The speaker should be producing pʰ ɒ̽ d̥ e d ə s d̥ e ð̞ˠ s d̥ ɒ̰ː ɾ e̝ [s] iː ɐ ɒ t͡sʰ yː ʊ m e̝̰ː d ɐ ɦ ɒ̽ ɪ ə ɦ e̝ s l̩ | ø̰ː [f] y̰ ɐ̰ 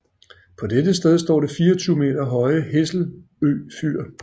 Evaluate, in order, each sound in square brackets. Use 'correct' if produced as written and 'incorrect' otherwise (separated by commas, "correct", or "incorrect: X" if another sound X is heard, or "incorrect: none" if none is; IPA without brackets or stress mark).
incorrect: f, correct